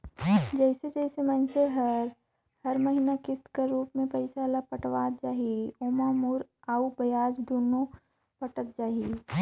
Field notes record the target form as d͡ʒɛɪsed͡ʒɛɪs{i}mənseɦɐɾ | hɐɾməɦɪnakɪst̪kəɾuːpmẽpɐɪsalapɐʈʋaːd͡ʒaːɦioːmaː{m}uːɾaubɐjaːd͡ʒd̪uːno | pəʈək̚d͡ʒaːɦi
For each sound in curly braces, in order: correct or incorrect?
incorrect, correct

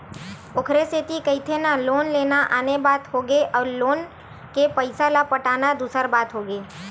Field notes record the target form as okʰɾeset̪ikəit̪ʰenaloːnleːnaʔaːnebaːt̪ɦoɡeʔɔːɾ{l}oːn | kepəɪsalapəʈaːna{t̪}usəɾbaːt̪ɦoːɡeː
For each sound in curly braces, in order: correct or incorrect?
correct, incorrect

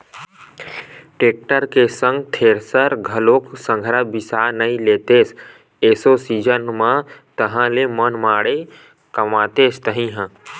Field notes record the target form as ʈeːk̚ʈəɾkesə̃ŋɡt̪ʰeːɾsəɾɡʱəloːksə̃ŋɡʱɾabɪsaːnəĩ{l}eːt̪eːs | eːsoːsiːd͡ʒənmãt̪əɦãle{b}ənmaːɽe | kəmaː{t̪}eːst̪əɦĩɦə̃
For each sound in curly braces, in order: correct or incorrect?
correct, incorrect, correct

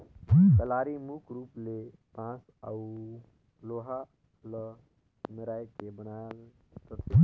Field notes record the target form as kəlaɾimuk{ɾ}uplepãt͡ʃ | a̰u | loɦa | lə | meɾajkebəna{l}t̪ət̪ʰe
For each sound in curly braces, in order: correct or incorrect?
correct, correct

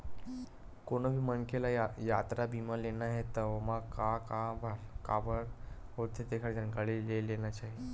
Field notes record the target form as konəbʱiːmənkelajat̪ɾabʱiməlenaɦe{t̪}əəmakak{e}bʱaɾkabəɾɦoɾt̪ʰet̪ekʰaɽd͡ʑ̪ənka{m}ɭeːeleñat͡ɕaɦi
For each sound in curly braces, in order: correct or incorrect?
correct, incorrect, incorrect

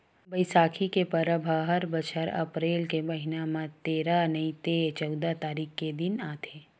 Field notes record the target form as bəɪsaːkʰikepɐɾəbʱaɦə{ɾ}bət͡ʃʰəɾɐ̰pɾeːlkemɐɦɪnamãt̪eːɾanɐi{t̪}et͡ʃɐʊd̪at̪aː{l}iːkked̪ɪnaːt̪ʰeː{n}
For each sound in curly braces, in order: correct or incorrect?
correct, correct, incorrect, incorrect

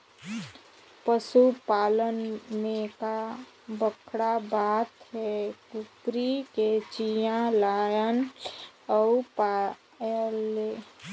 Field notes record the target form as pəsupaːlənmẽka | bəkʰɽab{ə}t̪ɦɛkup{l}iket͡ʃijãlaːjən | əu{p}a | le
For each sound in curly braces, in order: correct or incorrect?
incorrect, incorrect, correct

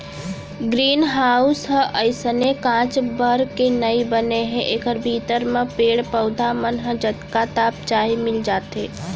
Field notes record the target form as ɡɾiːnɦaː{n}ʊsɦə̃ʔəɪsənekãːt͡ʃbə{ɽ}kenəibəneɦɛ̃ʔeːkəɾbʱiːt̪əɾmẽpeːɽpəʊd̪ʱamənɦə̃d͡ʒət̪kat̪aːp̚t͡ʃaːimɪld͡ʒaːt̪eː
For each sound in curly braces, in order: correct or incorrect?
incorrect, incorrect

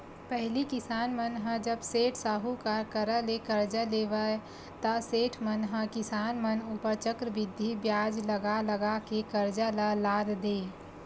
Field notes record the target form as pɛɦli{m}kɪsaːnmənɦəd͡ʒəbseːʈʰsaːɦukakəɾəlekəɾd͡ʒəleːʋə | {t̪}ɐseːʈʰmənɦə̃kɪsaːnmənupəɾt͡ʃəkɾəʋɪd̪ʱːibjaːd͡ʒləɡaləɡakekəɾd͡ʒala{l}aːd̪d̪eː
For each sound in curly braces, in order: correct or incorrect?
incorrect, correct, correct

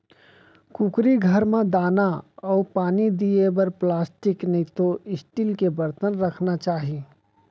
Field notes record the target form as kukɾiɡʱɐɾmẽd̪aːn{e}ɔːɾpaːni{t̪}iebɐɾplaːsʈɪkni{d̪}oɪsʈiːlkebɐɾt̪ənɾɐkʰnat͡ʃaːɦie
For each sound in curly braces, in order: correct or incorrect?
incorrect, incorrect, incorrect

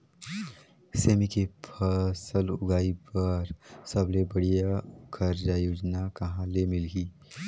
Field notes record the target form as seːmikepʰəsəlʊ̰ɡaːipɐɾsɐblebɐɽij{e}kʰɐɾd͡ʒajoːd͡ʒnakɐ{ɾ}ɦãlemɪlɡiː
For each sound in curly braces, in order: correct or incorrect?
incorrect, incorrect

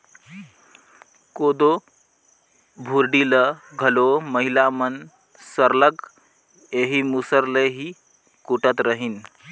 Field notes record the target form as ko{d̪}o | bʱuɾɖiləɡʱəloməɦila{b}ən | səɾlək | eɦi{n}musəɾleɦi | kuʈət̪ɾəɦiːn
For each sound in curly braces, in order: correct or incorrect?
correct, incorrect, incorrect

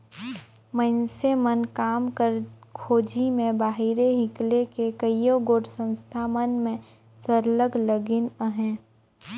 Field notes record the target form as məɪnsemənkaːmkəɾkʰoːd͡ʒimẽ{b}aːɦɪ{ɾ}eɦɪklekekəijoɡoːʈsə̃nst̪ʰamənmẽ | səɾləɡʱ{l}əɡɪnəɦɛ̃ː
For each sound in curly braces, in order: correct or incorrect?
correct, correct, correct

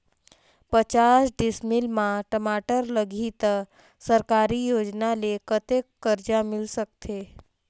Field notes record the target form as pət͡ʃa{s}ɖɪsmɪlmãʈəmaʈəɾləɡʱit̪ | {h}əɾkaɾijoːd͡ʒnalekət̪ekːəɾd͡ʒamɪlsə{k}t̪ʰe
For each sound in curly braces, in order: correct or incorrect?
correct, incorrect, correct

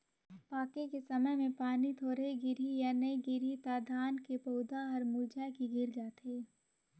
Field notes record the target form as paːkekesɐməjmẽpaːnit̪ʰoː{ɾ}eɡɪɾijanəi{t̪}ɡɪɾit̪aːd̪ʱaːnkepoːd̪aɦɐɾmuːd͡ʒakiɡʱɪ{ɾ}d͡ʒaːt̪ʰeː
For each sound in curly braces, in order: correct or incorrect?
correct, incorrect, correct

